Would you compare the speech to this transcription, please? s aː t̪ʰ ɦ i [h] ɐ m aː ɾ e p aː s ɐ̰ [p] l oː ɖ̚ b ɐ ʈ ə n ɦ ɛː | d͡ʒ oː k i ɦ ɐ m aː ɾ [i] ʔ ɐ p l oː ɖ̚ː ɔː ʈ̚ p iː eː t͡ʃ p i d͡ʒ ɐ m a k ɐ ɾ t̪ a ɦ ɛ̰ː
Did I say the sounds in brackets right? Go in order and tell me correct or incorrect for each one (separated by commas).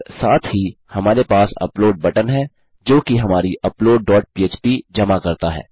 correct, correct, correct